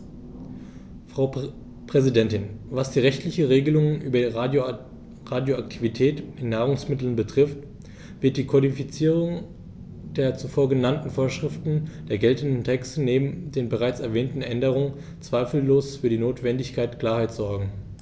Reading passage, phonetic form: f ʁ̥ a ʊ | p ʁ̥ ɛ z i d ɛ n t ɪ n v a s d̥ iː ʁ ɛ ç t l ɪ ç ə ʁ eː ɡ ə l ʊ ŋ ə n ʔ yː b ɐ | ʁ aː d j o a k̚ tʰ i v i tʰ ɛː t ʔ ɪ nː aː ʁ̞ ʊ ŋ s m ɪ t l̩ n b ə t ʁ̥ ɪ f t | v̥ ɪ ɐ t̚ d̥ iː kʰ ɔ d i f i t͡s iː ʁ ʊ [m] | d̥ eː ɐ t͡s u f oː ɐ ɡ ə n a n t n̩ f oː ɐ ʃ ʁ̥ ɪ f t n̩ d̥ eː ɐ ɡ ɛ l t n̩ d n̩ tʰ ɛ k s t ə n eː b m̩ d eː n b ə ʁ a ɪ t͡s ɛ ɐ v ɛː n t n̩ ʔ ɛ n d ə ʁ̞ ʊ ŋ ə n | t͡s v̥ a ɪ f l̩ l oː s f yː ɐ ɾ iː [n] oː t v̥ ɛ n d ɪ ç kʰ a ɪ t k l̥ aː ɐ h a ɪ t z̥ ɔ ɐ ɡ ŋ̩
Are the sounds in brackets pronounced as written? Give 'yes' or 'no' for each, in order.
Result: no, yes

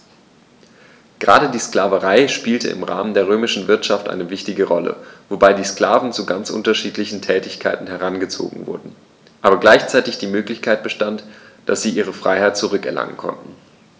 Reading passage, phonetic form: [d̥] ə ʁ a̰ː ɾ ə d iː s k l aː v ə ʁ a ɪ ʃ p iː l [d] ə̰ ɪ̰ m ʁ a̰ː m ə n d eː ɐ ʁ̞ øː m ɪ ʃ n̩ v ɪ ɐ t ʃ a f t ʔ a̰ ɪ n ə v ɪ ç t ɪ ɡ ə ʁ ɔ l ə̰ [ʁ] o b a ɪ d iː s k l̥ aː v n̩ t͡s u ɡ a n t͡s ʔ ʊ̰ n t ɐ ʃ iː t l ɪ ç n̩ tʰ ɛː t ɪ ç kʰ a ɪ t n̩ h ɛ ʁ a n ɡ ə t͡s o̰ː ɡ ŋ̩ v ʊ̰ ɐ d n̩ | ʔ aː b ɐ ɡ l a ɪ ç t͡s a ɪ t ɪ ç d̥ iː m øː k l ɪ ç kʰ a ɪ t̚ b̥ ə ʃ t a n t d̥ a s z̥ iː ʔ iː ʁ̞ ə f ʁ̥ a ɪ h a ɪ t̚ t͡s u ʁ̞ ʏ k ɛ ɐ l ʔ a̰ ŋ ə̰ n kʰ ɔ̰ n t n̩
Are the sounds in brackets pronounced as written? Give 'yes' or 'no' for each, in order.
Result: no, no, no

